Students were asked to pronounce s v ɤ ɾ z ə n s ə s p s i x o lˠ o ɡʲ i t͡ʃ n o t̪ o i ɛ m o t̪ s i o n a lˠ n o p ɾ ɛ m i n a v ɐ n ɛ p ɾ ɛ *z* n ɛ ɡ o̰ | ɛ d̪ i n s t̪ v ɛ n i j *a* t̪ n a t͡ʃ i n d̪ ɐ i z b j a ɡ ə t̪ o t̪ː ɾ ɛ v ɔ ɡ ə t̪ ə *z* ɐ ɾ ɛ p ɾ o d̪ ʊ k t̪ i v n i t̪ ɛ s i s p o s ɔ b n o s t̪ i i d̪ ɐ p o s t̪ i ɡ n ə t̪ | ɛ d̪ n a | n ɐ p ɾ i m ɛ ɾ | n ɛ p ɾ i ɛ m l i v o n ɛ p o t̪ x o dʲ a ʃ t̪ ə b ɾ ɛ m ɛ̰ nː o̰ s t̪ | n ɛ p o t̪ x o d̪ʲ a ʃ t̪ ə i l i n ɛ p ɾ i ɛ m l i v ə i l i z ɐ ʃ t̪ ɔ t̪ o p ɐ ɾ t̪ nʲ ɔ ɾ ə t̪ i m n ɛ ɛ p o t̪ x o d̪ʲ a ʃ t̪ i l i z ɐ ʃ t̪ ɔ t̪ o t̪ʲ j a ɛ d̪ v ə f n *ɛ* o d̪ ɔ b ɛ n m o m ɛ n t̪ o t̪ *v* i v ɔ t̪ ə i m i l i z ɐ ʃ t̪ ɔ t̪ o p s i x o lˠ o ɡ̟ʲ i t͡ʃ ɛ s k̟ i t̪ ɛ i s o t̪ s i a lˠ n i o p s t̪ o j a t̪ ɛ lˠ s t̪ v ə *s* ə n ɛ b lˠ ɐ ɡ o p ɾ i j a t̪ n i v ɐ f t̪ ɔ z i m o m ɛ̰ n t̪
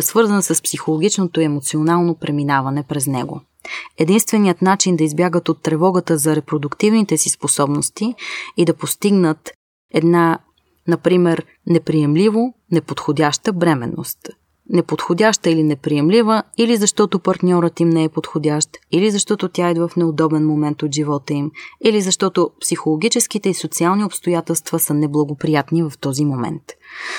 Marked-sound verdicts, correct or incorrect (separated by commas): correct, incorrect, correct, correct, incorrect, correct